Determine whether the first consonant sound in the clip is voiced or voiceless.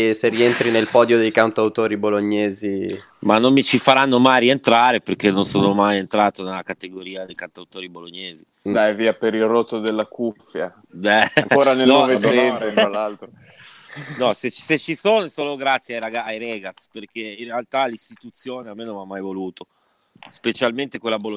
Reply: voiceless